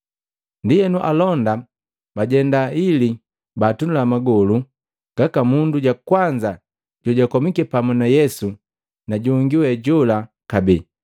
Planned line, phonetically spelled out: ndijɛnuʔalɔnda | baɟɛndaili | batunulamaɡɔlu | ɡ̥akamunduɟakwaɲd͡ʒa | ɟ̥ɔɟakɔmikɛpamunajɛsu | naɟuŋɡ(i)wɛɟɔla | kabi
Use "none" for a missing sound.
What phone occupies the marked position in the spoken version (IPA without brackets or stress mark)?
i